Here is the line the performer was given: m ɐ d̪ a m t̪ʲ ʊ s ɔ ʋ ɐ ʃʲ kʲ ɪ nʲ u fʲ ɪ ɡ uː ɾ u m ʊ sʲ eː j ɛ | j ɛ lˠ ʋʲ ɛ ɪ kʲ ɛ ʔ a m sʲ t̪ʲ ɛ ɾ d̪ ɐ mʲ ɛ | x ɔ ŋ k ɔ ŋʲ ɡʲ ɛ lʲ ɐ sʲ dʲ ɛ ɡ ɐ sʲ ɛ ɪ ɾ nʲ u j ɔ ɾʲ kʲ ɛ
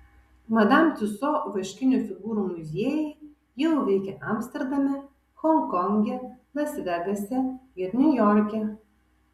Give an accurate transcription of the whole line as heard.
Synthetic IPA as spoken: m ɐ d̪ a m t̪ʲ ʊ s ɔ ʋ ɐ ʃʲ kʲ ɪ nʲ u fʲ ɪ ɡ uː ɾ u m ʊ zʲ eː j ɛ | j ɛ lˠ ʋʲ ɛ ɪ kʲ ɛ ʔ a m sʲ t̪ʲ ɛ ɾ d̪ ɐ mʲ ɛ | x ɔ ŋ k ɔ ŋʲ ɡʲ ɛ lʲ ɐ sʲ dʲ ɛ ɡ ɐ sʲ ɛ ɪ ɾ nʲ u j ɔ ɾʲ kʲ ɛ